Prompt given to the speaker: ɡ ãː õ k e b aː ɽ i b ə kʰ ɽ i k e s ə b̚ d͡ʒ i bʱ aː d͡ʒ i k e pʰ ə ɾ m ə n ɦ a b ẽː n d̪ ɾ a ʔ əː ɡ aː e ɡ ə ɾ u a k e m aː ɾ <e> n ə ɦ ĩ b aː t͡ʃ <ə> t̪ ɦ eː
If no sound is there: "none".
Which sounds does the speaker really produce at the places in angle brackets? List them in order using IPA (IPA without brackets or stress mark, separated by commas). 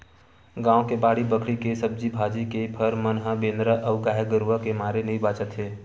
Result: e, ə